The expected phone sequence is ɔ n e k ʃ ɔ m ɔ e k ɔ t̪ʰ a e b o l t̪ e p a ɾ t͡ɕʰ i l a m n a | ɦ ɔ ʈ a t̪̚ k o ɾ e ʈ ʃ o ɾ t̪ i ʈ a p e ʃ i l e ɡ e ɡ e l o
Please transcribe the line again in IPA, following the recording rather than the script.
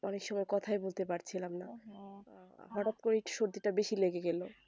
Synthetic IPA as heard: ɔ n e k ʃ ɔ m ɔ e k ɔ t̪ʰ a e b o l t̪ e p a ɾ t͡ɕʰ i l a m n a | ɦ ɔ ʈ a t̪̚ k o ɾ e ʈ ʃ o ɾ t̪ i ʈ a b e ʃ i l e ɡ e ɡ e l o